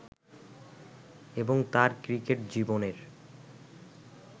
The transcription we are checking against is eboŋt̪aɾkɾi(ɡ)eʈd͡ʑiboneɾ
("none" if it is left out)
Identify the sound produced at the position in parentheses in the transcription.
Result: k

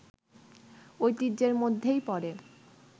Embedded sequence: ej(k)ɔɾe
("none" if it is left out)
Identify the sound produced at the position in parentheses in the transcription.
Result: p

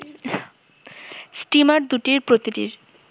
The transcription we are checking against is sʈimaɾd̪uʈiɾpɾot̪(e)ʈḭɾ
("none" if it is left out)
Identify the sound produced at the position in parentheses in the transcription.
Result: i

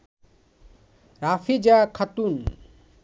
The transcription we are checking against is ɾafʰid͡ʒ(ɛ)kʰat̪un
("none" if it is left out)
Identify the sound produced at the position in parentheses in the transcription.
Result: a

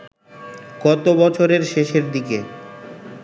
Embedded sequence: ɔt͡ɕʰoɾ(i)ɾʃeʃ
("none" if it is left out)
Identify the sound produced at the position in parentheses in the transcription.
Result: e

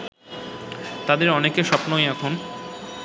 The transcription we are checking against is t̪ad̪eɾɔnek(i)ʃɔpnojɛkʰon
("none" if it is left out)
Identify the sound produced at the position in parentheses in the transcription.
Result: e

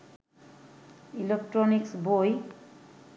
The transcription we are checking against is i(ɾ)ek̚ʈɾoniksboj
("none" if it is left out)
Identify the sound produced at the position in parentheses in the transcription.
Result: l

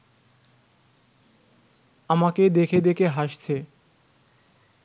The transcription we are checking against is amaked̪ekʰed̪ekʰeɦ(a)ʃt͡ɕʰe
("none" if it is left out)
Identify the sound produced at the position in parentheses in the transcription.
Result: a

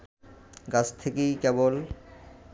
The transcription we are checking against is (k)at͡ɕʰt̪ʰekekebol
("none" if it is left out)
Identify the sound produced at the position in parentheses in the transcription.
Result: ɡ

